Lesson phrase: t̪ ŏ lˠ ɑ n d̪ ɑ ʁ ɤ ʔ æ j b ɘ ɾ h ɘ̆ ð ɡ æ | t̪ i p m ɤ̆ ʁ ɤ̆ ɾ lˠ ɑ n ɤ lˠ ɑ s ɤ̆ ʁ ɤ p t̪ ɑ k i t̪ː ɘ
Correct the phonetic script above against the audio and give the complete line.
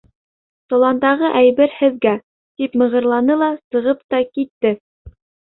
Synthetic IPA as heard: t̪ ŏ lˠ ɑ n d̪ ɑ ʁ ɤ ʔ æ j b ɘ ɾ h ɘ̆ ð ɡ æ | t̪ i p m ɤ̆ ʁ ɤ̆ ɾ lˠ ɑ n ɤ lˠ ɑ s ɤ̆ ʁ ɤ p t̪ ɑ k i t̪ː ɘ